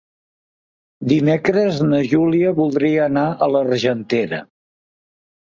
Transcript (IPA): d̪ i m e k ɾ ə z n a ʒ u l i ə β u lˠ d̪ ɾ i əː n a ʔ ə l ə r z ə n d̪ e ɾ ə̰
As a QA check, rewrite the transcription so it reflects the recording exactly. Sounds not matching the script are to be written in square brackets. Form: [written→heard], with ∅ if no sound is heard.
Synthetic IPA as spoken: d̪ i m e k ɾ ə z n [a→ə] ʒ u l i ə β u lˠ d̪ ɾ i əː n a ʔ ə l ə r [z→ʒ] ə n [d̪→t̪] e ɾ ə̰